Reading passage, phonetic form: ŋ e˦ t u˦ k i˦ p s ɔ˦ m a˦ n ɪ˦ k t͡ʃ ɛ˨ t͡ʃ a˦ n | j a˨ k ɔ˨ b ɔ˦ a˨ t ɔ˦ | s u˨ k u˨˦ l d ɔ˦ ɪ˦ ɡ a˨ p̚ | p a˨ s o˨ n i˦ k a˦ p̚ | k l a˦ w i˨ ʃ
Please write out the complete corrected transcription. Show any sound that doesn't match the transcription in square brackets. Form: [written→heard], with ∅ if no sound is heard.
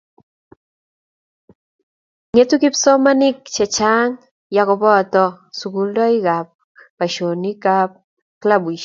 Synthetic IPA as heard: ŋ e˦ t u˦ k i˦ p s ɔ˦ m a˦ n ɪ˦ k t͡ʃ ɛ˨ t͡ʃ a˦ [n→ŋ] | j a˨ k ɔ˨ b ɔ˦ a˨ t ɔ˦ | s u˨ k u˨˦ l d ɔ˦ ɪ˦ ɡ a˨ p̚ | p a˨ [s→ʃ] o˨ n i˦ k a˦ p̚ | k l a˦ [w→b] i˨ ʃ